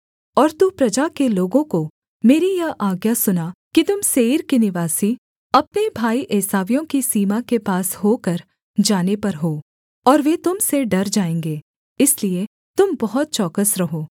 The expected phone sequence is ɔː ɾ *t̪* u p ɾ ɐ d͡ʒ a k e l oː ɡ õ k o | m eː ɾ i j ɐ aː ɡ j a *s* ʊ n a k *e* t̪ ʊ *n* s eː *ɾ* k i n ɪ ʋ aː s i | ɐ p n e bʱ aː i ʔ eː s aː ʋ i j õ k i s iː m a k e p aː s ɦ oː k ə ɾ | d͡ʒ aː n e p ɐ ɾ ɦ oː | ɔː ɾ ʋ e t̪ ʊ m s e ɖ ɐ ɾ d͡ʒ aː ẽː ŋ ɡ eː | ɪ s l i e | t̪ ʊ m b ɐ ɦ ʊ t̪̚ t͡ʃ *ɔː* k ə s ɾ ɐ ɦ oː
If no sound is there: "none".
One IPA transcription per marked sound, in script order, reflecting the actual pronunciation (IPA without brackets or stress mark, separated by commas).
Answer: t̪, s, i, m, ɾ, ɔː